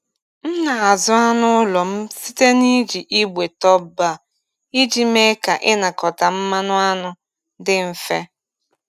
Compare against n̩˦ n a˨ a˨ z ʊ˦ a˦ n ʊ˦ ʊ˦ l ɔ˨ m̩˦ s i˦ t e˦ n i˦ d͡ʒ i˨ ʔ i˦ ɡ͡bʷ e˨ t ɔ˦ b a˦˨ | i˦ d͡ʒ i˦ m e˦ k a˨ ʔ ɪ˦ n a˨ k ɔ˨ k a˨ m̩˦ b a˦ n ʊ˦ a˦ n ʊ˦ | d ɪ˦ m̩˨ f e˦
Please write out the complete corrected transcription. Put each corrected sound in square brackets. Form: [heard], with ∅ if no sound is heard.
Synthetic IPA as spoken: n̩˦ n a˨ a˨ z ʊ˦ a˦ n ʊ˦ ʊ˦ l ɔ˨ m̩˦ s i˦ t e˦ n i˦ d͡ʒ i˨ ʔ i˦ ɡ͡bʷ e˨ t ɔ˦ b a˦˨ | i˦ d͡ʒ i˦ m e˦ k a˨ ʔ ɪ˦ n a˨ k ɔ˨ [t] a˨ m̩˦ [m] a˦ n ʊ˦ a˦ n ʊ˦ | d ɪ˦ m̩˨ f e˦